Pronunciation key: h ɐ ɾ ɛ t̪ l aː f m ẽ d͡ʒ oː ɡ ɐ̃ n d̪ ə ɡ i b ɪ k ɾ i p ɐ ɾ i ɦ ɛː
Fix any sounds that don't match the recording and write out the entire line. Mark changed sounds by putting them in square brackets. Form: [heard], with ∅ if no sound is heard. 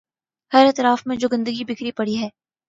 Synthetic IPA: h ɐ ɾ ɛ t̪ [ɾ] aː f m ẽ d͡ʒ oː ɡ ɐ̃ n d̪ ə ɡ i b ɪ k ɾ i p ɐ [ɽ] i ɦ ɛː